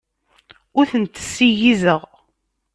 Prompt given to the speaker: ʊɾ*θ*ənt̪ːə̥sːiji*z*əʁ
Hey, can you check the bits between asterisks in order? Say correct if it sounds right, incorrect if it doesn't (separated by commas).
correct, correct